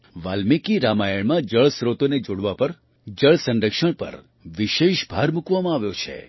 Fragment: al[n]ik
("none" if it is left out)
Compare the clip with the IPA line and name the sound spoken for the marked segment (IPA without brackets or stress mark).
m